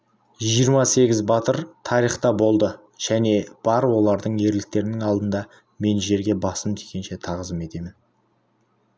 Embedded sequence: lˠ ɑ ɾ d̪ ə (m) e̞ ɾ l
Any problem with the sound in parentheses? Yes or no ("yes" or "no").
yes